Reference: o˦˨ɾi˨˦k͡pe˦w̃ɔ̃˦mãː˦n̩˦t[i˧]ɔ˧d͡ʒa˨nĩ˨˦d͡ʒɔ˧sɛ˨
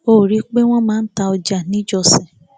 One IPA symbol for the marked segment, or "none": a˧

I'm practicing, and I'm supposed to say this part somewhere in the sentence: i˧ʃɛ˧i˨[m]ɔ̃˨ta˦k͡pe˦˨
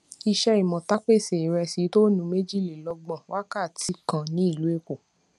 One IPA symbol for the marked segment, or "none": m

